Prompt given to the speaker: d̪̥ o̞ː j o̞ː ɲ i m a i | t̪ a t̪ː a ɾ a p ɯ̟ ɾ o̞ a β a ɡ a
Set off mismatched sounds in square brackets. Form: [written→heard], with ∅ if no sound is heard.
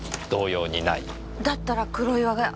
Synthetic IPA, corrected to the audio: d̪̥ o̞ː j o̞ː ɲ i [m→n] a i | [t̪→d̪] a t̪ː a ɾ a [p→k] ɯ̟ ɾ o̞ [a→i] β a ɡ a